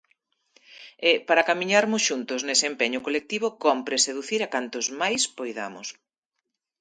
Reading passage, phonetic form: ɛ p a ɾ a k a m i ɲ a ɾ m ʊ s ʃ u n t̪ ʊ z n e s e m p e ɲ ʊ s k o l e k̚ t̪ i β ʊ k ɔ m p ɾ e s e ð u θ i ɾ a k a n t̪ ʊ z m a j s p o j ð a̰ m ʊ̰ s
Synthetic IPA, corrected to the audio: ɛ p a ɾ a k a m i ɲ a ɾ m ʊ s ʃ u n t̪ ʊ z n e s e m p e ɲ ʊ k o l e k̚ t̪ i β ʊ k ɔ m p ɾ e s e ð u θ i ɾ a k a n t̪ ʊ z m a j s p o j ð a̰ m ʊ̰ s